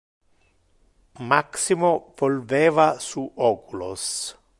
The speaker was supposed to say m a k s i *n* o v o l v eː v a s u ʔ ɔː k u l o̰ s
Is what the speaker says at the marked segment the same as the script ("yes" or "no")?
no